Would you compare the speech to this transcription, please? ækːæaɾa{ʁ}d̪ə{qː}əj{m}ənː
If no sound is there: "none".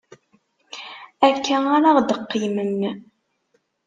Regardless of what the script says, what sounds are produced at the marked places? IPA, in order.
ʁ, qː, m

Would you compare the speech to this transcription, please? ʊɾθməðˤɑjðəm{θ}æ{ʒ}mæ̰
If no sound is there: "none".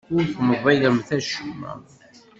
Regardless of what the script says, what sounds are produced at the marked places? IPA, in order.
θ, ʃ

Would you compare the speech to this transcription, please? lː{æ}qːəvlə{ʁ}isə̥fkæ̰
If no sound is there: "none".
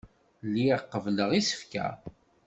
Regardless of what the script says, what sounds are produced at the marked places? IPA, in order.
i, ʁ

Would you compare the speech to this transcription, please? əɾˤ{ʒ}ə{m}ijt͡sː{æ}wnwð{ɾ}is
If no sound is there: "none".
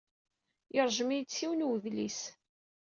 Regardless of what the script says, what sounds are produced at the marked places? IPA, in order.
ʒ, m, i, l

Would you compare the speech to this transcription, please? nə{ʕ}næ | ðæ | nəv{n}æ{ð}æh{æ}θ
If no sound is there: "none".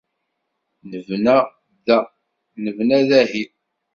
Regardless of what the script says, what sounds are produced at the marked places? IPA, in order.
v, n, ð, i

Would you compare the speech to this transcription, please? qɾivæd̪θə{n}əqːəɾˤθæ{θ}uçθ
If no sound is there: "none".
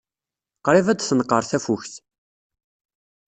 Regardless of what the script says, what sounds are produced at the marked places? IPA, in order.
n, f

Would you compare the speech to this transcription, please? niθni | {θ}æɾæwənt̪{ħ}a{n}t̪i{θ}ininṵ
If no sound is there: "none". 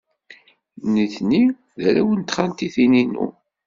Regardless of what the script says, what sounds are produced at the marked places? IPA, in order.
ð, χ, n, θ

